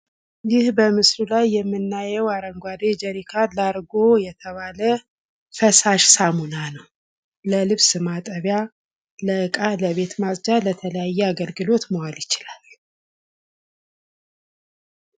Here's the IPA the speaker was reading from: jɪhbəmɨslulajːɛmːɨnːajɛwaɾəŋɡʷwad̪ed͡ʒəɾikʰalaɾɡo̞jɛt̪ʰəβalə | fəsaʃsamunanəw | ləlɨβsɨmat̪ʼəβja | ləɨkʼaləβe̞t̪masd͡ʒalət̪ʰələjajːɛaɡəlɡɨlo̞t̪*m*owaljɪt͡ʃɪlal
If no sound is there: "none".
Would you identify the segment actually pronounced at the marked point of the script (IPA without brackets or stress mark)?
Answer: m